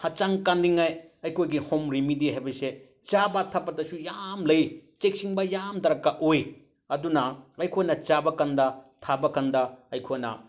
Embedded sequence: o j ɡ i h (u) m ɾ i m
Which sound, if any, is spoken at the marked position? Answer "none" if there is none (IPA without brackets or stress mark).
o